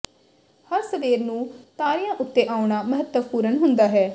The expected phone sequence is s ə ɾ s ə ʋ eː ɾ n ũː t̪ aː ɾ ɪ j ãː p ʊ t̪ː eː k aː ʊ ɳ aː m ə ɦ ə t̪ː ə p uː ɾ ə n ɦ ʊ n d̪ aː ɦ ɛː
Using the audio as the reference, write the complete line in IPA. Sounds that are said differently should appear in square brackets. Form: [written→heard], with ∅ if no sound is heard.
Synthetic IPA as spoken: [s→h] ə ɾ s ə ʋ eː ɾ n ũː t̪ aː ɾ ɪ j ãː [p→ʔ] ʊ t̪ː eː [k→ʔ] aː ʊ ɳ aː m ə ɦ ə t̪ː ə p uː ɾ ə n ɦ ʊ n d̪ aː ɦ ɛː